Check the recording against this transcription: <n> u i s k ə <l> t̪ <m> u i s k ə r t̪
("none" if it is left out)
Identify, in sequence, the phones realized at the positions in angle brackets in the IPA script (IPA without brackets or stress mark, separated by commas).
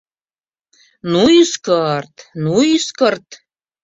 n, r, n